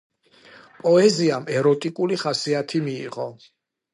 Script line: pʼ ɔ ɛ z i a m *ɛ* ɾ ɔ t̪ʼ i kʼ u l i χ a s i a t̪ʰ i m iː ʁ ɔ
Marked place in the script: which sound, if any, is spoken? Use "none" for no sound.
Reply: ɛ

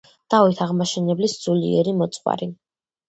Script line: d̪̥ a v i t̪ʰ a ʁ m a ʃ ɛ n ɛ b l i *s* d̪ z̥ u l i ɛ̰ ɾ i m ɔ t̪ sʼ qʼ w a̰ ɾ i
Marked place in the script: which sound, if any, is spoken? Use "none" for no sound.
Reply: s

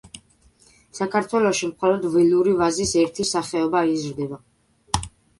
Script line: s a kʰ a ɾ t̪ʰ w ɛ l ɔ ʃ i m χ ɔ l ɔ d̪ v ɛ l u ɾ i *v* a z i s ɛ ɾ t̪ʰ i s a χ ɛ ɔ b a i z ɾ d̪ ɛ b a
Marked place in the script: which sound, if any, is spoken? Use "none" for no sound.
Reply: v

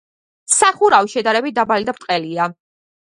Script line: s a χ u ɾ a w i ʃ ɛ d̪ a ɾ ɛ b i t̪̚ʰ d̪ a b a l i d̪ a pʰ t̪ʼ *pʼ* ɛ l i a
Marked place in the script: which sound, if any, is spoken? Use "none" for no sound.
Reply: qʼ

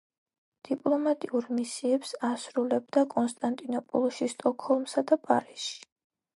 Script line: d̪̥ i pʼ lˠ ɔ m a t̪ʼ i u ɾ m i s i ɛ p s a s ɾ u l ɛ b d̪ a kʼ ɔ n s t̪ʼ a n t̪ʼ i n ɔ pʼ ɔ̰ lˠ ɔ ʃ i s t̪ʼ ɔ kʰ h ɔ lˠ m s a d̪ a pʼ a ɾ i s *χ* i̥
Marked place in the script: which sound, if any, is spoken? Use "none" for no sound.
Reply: ʃ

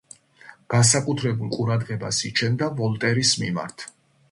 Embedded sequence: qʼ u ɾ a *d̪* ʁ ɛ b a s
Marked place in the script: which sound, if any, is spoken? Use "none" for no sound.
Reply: d̪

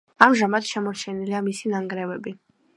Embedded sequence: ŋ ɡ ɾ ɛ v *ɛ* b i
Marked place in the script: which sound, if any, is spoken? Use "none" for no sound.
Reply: ɛ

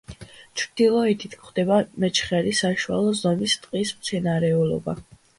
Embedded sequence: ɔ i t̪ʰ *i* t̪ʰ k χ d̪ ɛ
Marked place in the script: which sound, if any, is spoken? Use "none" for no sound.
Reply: i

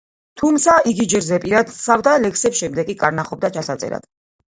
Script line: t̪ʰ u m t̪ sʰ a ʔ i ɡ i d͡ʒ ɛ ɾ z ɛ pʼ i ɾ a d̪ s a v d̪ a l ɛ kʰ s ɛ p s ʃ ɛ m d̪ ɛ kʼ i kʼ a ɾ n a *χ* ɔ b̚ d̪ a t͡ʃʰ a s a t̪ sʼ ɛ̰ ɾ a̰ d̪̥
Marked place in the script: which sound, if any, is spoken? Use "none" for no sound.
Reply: χ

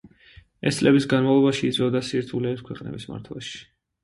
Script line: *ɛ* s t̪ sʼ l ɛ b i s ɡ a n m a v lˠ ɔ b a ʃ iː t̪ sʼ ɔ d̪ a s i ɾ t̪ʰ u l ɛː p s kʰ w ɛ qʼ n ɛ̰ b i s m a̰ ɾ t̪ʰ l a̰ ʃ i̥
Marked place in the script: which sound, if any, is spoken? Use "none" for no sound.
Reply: ɛ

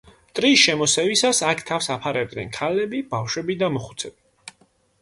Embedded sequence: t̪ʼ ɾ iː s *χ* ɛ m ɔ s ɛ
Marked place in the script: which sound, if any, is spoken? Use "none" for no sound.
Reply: ʃ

